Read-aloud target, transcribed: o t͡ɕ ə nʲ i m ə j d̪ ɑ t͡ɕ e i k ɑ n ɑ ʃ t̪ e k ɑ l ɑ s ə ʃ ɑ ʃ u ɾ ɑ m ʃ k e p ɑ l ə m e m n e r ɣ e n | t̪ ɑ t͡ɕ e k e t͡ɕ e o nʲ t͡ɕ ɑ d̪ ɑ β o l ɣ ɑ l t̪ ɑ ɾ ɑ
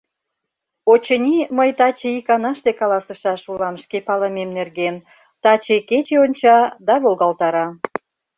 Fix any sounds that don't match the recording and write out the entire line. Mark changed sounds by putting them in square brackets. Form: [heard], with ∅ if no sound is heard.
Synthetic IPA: o t͡ɕ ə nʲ i m ə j [t̪] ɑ t͡ɕ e i k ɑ n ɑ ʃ t̪ e k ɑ l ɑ s ə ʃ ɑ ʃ u [l] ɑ m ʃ k e p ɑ l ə m e m n e r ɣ e n | t̪ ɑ t͡ɕ e k e t͡ɕ e o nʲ t͡ɕ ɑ d̪ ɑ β o l ɣ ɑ l t̪ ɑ ɾ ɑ